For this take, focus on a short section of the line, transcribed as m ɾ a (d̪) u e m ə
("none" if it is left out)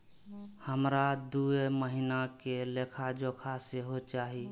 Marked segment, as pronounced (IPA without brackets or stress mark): d̪